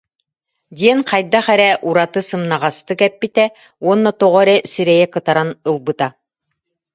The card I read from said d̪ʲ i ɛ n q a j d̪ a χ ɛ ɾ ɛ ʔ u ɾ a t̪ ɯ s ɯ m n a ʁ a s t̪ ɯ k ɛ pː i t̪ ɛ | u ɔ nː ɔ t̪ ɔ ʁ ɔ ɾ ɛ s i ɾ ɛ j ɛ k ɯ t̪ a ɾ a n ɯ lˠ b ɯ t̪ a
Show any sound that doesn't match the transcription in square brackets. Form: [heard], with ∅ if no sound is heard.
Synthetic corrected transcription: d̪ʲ i ɛ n q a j d̪ a χ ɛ ɾ ɛ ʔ u ɾ a t̪ ɯ s ɯ m n a ʁ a s t̪ ɯ k ɛ pː i t̪ ɛ | u ɔ nː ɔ t̪ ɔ ʁ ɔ ɾ ɛ s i ɾ ɛ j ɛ k ɯ t̪ a ɾ a n ɯ lˠ b ɯ t̪ a